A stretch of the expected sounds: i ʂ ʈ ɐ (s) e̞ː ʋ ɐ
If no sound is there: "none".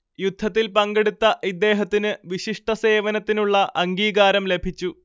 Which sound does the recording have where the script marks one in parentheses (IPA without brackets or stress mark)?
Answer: s